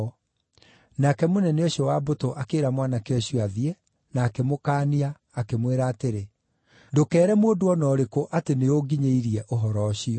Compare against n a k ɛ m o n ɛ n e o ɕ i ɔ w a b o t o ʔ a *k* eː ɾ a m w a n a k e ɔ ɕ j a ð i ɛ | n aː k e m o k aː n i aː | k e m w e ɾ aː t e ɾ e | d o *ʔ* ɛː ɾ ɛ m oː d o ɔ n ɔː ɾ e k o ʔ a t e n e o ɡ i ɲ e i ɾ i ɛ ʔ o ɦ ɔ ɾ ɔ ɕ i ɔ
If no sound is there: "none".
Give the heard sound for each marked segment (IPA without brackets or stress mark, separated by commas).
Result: k, k